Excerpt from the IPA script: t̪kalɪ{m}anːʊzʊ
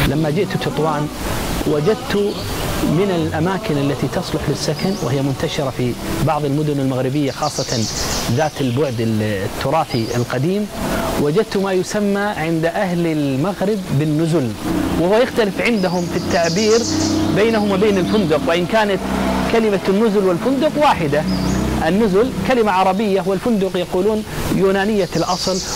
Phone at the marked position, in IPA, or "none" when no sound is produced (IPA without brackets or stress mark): m